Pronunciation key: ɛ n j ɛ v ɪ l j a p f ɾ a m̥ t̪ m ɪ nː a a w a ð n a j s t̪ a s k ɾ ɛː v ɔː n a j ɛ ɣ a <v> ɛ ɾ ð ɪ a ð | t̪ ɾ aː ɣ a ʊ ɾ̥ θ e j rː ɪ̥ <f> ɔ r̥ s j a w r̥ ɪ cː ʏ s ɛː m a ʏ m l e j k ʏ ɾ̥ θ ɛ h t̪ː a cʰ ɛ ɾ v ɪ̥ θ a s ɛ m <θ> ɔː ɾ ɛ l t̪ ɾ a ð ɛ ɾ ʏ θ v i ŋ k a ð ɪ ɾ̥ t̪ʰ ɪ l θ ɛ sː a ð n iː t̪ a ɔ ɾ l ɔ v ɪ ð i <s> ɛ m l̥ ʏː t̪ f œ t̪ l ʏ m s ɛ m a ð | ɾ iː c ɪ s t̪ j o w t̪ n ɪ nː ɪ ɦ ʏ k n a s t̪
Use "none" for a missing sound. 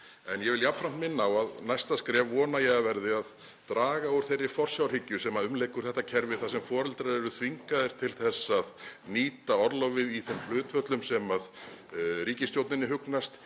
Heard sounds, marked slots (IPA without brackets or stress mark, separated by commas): v, f, f, θ